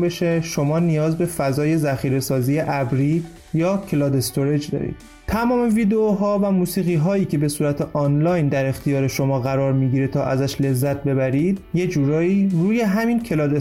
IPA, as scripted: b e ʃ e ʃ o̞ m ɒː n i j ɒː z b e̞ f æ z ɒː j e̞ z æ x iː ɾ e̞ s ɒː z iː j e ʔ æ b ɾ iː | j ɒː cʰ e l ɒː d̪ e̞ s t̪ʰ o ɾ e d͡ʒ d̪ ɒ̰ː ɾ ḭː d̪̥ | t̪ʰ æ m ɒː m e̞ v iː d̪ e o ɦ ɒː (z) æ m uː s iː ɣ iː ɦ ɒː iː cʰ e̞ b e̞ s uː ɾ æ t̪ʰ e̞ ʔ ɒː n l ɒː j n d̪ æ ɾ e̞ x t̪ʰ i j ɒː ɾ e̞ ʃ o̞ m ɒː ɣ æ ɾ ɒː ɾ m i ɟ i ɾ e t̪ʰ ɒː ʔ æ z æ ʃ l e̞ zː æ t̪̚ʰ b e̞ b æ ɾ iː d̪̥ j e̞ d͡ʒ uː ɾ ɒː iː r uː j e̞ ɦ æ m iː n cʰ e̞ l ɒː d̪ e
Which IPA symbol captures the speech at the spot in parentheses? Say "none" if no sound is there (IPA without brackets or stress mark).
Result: v